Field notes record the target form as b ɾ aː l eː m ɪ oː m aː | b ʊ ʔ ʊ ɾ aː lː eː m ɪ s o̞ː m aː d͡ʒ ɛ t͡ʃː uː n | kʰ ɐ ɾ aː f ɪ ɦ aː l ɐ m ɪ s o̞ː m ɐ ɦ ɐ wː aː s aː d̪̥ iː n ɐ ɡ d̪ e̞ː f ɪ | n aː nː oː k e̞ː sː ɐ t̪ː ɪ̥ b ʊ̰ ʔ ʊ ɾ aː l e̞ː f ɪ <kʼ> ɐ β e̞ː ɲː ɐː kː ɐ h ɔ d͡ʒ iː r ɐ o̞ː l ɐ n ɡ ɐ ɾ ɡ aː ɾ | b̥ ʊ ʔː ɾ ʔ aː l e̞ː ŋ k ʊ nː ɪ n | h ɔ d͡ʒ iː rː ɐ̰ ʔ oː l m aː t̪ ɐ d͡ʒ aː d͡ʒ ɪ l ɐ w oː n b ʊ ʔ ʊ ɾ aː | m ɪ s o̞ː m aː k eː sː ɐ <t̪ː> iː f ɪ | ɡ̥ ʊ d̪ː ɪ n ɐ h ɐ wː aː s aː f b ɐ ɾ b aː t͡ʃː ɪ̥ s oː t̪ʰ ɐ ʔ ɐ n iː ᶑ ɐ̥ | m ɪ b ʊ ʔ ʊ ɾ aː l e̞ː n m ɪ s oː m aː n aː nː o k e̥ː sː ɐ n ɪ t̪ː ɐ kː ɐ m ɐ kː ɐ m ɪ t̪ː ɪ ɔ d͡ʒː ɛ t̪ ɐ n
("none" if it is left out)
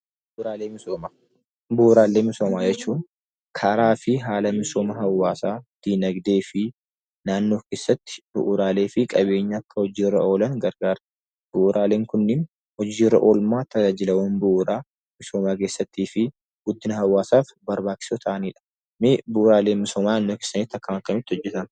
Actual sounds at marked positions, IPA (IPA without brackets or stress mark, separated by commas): kʼ, t̪ː